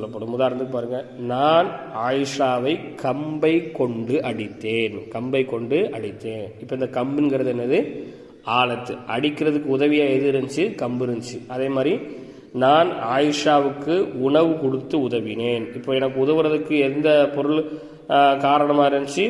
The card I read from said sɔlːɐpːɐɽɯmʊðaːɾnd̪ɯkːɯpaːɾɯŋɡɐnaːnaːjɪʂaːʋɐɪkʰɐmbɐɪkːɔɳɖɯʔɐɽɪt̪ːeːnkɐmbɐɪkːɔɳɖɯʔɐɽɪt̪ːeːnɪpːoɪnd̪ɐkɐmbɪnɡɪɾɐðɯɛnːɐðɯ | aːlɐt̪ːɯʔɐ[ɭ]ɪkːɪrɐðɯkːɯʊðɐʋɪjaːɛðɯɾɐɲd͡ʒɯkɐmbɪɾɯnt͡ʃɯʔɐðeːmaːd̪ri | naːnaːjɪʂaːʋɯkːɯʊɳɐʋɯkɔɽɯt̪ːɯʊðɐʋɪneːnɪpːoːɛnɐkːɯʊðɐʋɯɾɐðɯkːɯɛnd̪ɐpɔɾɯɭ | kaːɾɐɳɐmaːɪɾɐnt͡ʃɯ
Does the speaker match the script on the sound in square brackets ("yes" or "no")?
no